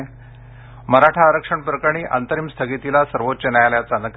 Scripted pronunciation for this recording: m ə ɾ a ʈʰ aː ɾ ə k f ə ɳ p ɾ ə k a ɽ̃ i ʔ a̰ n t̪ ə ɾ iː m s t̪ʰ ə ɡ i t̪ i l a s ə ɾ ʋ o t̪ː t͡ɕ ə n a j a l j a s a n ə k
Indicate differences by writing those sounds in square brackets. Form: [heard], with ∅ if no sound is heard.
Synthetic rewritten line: m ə ɾ a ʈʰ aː ɾ ə k [ʂ] ə ɳ p ɾ ə k a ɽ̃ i ʔ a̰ n t̪ ə ɾ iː m s t̪ʰ ə ɡ i t̪ i l a s ə ɾ ʋ o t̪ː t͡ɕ ə n a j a l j a [t͡s] a n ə k